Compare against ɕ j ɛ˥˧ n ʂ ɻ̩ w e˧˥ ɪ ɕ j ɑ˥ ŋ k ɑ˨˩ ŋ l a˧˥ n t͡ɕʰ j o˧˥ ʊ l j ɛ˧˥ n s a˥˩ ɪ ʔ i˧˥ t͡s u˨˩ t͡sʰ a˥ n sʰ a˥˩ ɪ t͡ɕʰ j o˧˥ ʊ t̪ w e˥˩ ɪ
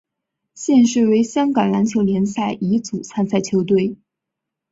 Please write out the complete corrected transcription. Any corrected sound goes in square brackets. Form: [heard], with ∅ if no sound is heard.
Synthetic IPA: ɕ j ɛ˥˧ n ʂ ɻ̩ w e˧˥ ɪ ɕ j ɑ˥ ŋ k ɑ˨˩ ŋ l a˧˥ n t͡ɕʰ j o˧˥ ʊ l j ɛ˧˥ n s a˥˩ ɪ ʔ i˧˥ t͡s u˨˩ t͡sʰ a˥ n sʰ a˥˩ ɪ t͡ɕʰ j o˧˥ ʊ t̪ w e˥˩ ɪ